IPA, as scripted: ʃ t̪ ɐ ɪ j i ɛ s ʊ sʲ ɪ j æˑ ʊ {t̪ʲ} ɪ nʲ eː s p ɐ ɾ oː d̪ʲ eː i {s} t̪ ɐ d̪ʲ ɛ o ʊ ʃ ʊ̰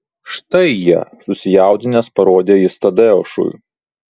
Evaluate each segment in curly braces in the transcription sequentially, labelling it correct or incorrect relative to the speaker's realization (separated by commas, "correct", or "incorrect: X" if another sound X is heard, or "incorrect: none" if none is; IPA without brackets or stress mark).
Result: incorrect: d̪ʲ, correct